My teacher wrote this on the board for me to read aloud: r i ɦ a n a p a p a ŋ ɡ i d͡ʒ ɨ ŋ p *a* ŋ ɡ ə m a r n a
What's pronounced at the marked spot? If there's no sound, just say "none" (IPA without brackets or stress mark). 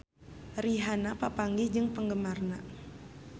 ə